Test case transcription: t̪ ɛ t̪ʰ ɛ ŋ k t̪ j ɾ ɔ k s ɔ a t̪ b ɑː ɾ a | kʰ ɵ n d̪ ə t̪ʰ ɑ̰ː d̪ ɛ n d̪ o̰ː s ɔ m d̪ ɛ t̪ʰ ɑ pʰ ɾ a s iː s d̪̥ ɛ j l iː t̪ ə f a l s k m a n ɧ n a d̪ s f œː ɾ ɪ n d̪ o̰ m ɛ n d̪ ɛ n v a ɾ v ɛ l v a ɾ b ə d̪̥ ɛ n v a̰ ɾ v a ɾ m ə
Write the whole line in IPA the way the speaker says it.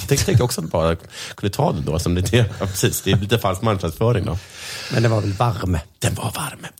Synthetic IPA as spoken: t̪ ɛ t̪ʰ ɛ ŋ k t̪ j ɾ ɔ k s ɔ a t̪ b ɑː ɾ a | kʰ ɵ n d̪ ə t̪ʰ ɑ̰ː d̪ ɛ n d̪ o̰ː s ɔ m d̪ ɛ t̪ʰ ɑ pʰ ɾ ɛ s iː s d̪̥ ɛ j l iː t̪ ə f a l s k m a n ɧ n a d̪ s f œː ɾ ɪ ŋ d̪ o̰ m ɛ n d̪ ɛ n v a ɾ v ɛ l v a ɾ m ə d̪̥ ɛ n v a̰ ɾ v a ɾ m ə